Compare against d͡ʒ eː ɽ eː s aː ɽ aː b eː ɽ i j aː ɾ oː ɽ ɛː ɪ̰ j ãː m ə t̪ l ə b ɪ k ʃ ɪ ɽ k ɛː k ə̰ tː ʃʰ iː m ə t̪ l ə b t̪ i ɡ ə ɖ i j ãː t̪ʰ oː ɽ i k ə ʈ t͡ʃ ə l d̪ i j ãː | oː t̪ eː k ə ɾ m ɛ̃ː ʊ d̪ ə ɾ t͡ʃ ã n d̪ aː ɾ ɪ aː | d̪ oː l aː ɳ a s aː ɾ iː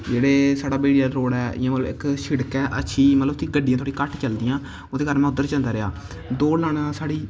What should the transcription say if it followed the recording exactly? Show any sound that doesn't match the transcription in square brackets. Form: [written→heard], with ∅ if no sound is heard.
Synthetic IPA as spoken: d͡ʒ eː ɽ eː s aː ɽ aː b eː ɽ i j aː ɾ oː ɽ ɛː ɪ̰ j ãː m ə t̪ l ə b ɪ k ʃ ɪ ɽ k ɛː [k→ʔ] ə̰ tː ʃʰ iː m ə t̪ l ə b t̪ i ɡ ə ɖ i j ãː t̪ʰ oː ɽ i k ə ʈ t͡ʃ ə l d̪ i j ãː | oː [t̪→d̪] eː k ə ɾ m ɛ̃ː ʊ d̪ ə ɾ t͡ʃ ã n d̪ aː ɾ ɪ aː | d̪ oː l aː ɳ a s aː [ɾ→ɽ] iː